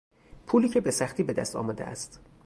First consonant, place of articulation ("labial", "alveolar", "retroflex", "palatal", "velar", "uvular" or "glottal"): labial